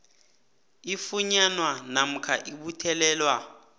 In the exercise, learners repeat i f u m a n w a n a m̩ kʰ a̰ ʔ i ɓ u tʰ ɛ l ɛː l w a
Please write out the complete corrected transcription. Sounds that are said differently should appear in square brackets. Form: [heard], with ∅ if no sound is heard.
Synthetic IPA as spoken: i f u [ɲ] a n w a n a m̩ kʰ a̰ ʔ i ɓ u tʰ ɛ l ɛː l w a

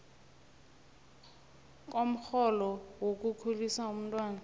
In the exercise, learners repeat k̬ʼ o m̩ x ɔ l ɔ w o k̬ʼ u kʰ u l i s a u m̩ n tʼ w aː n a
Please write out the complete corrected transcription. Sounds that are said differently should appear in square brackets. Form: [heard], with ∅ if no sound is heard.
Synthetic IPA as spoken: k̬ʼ o m̩ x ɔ l ɔ w o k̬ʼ u kʰ u l i s a u m̩ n tʼ w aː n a

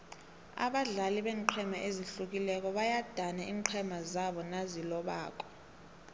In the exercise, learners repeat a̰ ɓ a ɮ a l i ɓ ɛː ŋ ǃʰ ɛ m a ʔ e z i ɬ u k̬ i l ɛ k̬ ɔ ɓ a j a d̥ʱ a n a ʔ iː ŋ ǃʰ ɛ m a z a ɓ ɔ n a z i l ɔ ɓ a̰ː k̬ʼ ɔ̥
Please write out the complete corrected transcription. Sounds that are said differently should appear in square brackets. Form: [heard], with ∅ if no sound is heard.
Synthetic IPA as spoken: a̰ ɓ a ɮ a l i ɓ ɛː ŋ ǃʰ ɛ m a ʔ e z i ɬ u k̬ i l ɛ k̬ ɔ ɓ a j a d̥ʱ a n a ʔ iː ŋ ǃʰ ɛ m a z a ɓ ɔ n a z i l ɔ ɓ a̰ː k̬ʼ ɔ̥

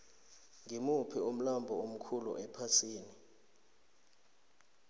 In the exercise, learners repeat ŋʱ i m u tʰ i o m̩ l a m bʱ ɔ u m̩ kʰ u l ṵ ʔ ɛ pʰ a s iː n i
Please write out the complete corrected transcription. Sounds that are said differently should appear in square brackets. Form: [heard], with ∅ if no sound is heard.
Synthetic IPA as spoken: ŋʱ i m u [pʰ] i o m̩ l a m bʱ ɔ [o] m̩ kʰ u l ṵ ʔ ɛ pʰ a s iː n i

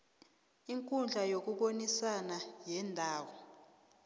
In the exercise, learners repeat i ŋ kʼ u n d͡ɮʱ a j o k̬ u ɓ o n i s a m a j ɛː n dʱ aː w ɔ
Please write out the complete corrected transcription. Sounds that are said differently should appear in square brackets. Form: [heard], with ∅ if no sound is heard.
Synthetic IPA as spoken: i ŋ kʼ u n d͡ɮʱ a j o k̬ u ɓ o n i s a [n] a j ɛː n dʱ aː w ɔ

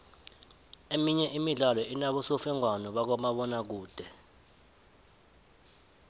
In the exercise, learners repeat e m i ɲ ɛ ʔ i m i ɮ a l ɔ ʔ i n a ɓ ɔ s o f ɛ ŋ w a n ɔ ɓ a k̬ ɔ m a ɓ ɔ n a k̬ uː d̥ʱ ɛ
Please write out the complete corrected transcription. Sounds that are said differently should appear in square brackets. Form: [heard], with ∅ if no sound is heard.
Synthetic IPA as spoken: e m i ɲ ɛ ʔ i m i ɮ a l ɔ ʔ i n a ɓ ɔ s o f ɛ ŋ w a n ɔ ɓ a k̬ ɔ m a ɓ ɔ n a k̬ uː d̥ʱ ɛ

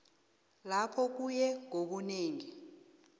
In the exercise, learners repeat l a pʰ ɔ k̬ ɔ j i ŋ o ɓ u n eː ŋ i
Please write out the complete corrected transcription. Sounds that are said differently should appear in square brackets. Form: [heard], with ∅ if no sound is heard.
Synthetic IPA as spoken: l a pʰ ɔ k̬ [u] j [ɛ] ŋ o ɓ u n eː ŋ i

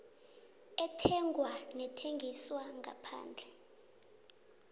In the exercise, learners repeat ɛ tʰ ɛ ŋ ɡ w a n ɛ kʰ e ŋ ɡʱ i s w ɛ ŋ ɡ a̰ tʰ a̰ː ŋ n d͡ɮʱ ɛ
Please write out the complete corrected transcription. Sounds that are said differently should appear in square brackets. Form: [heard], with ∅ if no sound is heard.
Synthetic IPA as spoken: ɛ tʰ ɛ ŋ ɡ w a n ɛ [tʰ] e ŋ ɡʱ i s w [a] ŋ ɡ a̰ [pʰ] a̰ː [∅] n d͡ɮʱ ɛ

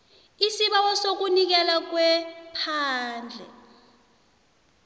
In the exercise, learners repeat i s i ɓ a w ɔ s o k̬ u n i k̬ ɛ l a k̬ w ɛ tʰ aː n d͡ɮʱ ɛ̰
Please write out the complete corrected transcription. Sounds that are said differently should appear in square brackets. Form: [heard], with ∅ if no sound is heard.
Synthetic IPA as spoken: i s i ɓ a w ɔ s o k̬ u n i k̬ ɛ l a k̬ w ɛ [pʰ] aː n d͡ɮʱ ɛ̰

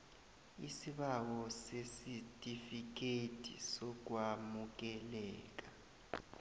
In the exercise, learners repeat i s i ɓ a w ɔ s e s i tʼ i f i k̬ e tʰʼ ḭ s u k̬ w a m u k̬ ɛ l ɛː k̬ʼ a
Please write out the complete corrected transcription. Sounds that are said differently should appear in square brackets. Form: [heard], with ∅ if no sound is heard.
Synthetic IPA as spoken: i s i ɓ a w ɔ s e s i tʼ i f i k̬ e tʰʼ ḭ s [ɔ] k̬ w a m u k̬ ɛ l ɛː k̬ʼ a

